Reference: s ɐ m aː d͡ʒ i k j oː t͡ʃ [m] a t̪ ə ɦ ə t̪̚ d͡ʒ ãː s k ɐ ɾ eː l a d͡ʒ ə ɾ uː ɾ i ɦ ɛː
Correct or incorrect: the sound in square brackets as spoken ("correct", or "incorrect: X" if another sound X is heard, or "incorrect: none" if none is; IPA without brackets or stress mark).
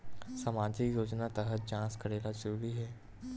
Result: incorrect: n